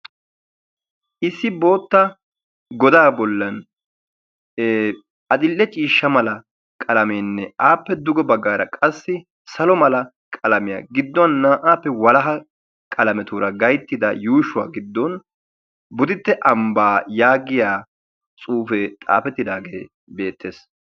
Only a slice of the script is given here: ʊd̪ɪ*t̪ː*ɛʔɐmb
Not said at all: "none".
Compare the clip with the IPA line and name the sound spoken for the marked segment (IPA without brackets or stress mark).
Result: t̪ː